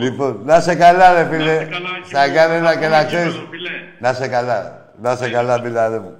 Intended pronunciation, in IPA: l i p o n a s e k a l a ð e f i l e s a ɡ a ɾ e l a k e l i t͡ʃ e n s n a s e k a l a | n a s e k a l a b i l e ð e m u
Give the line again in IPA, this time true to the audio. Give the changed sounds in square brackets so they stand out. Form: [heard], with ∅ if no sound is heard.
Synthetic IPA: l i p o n a s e k a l a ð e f i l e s a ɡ a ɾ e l a k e l [a] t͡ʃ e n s n a s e k a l a | n a s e k a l a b i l [a] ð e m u